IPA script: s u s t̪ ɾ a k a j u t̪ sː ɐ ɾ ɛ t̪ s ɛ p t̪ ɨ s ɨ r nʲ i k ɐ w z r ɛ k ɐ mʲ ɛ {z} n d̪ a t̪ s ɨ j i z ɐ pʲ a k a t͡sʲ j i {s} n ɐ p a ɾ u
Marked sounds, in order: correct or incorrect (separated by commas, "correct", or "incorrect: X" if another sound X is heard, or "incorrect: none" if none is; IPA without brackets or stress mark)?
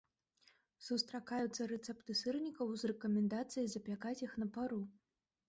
incorrect: none, incorrect: x